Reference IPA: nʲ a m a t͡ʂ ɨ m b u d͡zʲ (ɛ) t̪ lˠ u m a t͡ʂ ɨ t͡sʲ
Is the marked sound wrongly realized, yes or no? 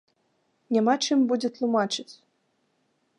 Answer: no